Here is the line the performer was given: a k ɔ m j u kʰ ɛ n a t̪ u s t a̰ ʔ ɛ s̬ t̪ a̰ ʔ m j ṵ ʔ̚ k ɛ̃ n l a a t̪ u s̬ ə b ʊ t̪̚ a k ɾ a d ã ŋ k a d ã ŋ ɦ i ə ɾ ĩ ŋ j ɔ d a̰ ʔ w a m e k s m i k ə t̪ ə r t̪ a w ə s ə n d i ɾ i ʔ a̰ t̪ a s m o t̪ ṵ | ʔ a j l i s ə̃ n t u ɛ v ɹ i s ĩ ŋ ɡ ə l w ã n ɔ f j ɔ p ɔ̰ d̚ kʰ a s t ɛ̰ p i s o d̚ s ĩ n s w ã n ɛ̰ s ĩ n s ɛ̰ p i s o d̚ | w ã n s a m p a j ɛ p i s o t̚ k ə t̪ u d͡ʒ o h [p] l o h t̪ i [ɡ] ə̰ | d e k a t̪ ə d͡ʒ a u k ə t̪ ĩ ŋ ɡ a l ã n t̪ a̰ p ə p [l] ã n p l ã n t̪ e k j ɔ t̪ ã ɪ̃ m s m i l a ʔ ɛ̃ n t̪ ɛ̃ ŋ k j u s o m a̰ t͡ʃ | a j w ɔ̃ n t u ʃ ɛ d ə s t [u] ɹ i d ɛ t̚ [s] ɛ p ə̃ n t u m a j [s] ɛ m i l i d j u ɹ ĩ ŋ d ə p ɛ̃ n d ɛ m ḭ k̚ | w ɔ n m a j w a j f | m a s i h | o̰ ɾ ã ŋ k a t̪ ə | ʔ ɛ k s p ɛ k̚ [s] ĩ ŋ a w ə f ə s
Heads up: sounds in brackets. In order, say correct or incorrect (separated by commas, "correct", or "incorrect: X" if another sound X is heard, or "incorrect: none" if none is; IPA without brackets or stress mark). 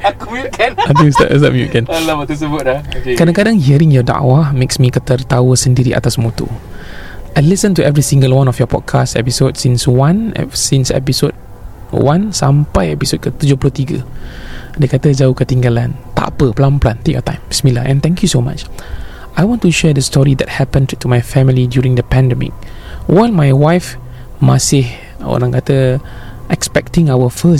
correct, correct, correct, incorrect: ɔ, incorrect: h, incorrect: f, incorrect: t